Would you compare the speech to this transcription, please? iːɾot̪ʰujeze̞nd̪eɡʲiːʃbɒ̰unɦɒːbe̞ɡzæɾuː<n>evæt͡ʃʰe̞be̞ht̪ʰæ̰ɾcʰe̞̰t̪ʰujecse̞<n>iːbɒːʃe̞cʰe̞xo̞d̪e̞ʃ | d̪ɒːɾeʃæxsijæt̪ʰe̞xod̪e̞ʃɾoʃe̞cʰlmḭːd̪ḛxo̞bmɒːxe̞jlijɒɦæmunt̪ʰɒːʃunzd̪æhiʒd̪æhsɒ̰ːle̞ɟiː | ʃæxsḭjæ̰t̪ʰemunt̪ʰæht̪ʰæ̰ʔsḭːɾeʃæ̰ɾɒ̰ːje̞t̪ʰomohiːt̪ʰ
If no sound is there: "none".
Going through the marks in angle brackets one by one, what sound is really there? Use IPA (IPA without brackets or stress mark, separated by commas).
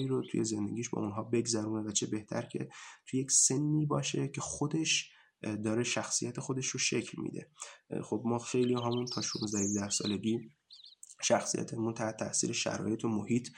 n, nː